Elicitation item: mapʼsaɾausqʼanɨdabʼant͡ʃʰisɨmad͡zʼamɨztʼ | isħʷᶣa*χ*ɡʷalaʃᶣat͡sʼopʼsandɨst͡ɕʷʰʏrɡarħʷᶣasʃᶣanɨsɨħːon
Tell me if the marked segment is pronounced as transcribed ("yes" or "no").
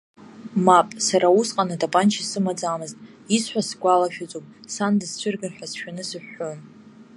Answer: no